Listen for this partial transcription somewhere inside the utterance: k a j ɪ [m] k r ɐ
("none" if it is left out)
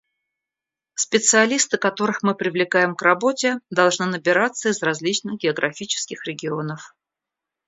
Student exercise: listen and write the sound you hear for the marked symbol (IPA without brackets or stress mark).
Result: m